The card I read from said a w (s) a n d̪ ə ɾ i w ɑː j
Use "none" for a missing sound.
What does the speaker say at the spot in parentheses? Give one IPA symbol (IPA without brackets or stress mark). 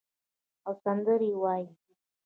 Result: s